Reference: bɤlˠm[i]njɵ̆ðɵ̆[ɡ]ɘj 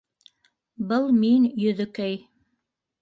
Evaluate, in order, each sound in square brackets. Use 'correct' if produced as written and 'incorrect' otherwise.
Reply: correct, incorrect: k

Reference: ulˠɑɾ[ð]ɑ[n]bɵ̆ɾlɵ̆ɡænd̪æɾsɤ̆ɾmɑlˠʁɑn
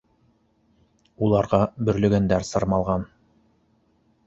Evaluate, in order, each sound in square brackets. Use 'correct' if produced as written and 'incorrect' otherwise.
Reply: incorrect: ʁ, incorrect: none

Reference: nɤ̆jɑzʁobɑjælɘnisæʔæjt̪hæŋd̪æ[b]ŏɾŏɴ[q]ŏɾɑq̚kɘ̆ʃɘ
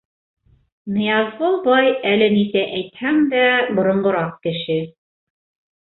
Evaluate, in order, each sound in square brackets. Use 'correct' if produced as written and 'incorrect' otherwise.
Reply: correct, incorrect: ɢ

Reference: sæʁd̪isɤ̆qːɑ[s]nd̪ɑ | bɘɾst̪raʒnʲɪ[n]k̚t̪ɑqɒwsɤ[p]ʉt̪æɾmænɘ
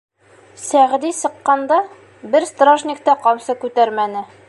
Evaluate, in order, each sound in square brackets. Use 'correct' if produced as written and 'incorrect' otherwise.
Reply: incorrect: none, incorrect: none, incorrect: k

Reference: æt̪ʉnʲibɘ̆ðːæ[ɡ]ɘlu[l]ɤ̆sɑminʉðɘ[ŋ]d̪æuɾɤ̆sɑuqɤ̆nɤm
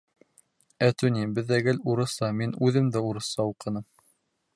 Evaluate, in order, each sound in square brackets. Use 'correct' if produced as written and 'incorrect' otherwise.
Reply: correct, incorrect: ɾ, incorrect: m

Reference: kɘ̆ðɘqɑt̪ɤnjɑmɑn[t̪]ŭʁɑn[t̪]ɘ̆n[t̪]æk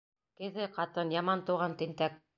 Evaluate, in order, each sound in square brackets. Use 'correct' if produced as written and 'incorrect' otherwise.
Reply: correct, correct, correct

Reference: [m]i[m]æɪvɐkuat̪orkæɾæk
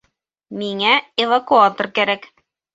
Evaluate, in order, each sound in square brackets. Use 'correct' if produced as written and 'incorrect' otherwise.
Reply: correct, incorrect: ŋ

